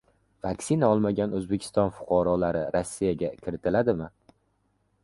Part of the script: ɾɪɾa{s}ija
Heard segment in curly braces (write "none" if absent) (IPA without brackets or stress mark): sː